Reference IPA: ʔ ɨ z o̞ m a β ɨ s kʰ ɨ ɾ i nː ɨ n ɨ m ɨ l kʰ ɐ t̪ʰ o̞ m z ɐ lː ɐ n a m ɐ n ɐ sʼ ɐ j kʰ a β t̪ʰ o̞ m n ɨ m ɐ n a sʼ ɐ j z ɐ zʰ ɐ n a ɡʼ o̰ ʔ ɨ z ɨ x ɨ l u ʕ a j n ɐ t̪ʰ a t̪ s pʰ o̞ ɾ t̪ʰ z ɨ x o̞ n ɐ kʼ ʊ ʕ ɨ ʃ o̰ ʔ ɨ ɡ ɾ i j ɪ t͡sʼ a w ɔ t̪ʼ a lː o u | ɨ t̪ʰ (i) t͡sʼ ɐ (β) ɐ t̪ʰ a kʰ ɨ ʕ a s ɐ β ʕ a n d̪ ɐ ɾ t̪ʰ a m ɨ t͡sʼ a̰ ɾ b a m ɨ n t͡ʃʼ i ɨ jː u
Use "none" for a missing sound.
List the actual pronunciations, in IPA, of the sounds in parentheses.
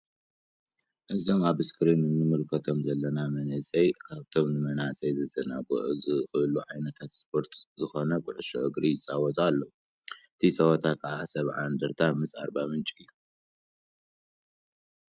i, w

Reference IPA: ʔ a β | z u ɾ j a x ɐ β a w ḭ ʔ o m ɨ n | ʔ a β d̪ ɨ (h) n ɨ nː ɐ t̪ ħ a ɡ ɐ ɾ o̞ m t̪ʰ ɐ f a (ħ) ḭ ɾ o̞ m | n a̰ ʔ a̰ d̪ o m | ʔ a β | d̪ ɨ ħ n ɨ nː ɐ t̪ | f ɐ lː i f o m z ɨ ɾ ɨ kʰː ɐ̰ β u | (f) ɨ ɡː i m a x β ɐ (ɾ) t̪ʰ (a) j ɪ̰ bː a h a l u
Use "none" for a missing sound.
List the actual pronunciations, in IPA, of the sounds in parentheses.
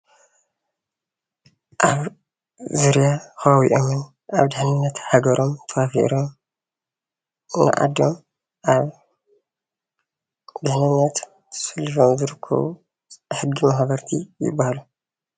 ħ, f, ħ, ɾ, i

